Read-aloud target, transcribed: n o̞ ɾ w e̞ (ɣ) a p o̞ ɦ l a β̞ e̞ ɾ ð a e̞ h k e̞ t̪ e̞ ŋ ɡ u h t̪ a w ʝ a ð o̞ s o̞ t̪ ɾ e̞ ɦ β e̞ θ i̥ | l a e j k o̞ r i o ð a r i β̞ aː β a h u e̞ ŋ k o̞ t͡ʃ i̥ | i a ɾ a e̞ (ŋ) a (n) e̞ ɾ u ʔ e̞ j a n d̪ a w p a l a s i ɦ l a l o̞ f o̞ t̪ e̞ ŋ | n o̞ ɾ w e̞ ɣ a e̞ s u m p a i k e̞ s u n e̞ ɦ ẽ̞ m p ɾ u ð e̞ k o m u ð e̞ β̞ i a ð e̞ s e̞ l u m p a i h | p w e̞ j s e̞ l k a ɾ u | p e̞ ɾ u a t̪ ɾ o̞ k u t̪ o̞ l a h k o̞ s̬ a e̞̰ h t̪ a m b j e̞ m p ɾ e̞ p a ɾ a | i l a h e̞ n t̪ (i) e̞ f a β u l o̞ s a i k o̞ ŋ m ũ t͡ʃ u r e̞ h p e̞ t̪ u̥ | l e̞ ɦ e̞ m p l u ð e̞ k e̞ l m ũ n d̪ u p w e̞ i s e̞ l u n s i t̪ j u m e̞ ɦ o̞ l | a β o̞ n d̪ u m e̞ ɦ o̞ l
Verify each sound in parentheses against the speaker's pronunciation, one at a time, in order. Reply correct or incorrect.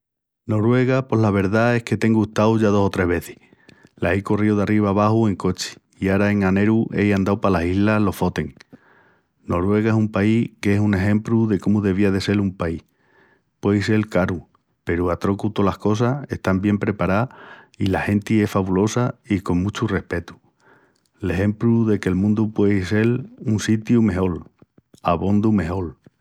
correct, correct, correct, correct

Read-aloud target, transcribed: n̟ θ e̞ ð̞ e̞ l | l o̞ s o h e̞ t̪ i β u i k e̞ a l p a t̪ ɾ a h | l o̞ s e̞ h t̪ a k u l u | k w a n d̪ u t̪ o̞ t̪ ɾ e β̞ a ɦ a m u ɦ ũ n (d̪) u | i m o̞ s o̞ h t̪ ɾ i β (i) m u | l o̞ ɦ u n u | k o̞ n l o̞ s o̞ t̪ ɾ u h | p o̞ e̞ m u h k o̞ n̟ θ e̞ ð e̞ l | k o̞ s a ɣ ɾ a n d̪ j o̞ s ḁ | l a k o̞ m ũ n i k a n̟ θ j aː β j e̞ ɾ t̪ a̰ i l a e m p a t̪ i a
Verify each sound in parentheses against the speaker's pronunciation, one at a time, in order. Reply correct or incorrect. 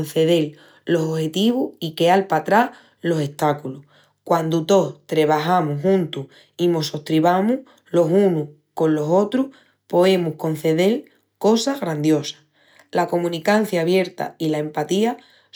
incorrect, incorrect

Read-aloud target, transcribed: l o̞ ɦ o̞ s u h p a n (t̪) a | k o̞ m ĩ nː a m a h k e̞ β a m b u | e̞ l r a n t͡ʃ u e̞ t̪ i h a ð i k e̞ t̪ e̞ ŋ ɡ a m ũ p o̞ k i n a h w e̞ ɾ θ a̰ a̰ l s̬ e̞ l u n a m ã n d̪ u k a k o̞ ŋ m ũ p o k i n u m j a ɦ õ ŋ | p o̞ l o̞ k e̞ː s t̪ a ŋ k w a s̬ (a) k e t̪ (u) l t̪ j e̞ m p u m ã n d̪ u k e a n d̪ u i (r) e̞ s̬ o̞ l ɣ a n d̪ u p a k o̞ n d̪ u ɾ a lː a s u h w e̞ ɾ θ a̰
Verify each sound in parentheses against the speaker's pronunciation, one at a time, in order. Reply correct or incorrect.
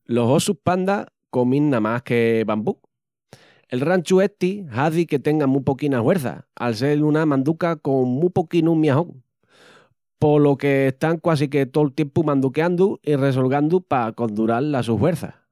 incorrect, incorrect, incorrect, correct

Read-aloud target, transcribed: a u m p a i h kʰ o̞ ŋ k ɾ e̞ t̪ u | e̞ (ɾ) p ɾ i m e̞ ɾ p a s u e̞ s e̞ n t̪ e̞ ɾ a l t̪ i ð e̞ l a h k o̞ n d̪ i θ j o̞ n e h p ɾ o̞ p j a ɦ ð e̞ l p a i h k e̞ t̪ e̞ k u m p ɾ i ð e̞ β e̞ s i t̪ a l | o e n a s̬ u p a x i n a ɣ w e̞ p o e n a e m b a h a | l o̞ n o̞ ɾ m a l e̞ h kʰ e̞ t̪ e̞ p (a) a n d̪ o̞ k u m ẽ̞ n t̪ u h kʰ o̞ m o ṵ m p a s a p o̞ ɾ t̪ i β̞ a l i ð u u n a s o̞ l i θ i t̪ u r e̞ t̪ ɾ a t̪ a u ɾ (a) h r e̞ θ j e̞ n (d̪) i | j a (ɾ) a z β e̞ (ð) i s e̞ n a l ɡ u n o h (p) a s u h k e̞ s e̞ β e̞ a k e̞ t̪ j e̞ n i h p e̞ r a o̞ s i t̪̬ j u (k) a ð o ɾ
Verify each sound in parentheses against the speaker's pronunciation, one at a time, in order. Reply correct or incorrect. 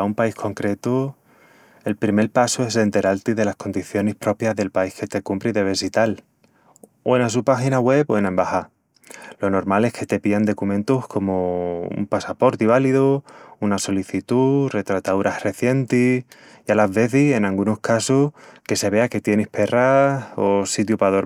incorrect, incorrect, correct, incorrect, incorrect, incorrect, incorrect, incorrect

